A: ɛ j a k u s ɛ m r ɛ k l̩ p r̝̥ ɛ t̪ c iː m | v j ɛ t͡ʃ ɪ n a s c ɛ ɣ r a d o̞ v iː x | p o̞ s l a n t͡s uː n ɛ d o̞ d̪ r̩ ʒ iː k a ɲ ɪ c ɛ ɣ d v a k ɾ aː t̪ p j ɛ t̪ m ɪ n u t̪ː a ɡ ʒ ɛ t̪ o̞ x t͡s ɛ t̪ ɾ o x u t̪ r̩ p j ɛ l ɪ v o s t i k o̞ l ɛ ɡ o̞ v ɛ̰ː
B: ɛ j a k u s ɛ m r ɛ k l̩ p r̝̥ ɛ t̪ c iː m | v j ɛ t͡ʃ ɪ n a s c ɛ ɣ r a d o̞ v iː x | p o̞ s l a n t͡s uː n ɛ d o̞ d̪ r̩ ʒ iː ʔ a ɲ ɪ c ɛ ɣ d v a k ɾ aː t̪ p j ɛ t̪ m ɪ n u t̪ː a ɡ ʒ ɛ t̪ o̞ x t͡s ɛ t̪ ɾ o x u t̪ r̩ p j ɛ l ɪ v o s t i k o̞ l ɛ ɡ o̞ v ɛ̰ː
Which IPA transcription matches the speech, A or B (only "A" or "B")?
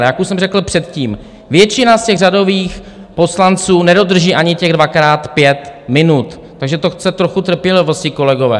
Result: B